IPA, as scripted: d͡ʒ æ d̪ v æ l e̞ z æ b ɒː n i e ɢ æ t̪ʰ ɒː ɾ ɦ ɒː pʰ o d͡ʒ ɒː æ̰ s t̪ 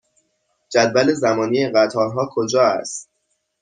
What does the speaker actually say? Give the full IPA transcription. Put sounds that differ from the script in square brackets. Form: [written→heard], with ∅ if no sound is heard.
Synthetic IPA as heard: d͡ʒ æ d̪ v æ l e̞ z æ [b→m] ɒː n i e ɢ æ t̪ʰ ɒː ɾ ɦ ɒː [pʰ→kʰ] o d͡ʒ ɒː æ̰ s t̪